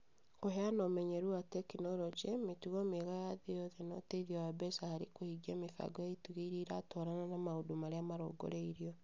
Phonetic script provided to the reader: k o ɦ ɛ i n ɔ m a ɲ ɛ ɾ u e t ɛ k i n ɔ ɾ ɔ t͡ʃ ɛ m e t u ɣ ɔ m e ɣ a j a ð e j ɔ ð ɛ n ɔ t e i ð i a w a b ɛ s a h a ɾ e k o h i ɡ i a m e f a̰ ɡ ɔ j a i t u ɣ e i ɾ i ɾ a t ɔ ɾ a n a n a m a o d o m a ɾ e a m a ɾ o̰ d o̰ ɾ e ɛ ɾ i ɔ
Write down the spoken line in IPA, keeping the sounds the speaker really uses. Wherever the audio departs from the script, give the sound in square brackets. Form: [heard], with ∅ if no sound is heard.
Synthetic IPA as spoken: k o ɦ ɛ [a] n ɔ m [ɛ] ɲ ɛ ɾ u [a] t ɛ k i n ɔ ɾ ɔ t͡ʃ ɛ m e t u ɣ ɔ m e ɣ a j a ð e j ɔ ð ɛ n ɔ t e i ð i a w a b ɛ s a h a ɾ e k o h i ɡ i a m e f a̰ ɡ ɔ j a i t u ɣ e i ɾ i ɾ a t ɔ ɾ a n a n a m a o d o m a ɾ e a m a ɾ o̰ [ɡ] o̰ ɾ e [i] ɾ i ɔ